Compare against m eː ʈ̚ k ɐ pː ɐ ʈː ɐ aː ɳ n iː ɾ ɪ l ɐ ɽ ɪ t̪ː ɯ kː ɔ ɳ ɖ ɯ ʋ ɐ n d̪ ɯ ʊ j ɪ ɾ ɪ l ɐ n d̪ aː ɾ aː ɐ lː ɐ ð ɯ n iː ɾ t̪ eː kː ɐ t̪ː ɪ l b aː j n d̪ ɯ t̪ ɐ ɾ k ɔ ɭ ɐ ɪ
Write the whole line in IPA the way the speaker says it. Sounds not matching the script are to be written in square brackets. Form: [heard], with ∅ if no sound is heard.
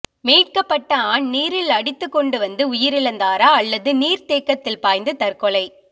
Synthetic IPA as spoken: m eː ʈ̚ k ɐ pː ɐ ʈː ɐ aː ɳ n iː ɾ ɪ l ɐ ɽ ɪ t̪ː ɯ kː ɔ ɳ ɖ ɯ ʋ ɐ n d̪ ɯ ʊ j ɪ ɾ ɪ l ɐ n d̪ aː ɾ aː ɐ lː ɐ ð ɯ n iː ɾ t̪ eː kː ɐ t̪ː ɪ l [p] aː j n d̪ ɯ t̪ ɐ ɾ k ɔ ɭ ɐ ɪ